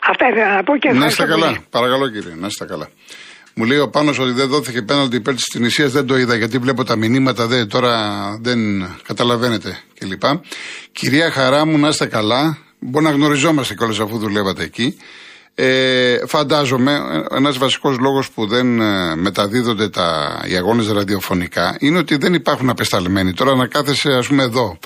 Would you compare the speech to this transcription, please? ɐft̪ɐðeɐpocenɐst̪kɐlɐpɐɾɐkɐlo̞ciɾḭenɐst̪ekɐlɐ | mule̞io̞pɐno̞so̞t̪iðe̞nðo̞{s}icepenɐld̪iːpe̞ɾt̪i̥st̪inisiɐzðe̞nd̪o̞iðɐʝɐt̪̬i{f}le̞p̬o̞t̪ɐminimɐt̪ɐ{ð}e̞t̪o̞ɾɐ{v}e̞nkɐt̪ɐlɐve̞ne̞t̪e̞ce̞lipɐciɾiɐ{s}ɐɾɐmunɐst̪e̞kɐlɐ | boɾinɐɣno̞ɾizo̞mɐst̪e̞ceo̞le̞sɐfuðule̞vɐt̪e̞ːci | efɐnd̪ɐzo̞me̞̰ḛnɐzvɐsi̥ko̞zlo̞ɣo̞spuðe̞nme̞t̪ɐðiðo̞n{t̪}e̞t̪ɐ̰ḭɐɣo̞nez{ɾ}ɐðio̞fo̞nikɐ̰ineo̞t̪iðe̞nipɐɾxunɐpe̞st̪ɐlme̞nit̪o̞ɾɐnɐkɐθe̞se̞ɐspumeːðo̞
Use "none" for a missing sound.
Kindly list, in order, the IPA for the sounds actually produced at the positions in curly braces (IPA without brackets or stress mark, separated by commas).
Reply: θ, v, ð, ð, x, d̪, ɾ